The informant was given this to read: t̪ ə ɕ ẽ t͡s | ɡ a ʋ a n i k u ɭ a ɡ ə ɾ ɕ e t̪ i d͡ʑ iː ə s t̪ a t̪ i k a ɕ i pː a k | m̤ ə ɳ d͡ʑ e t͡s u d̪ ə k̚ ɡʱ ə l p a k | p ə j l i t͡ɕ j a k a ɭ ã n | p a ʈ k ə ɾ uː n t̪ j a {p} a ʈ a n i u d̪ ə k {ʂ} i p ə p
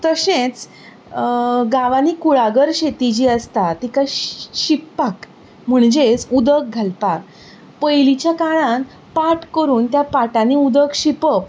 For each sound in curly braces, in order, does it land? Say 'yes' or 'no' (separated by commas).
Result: yes, no